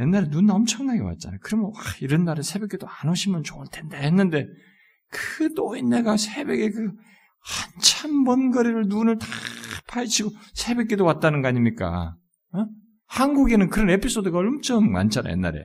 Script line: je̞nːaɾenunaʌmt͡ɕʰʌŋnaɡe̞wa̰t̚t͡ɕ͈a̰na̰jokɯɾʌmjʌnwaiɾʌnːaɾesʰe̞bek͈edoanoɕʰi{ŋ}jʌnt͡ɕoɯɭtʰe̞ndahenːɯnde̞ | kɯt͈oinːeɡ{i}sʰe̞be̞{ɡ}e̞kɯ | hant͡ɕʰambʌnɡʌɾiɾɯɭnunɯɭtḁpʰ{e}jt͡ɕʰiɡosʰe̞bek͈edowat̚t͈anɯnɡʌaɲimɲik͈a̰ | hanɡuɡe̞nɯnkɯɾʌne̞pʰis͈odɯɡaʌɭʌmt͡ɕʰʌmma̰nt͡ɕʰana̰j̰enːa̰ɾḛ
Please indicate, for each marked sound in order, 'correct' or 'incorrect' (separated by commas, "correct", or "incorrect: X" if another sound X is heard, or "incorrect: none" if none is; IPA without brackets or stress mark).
incorrect: m, incorrect: a, correct, incorrect: a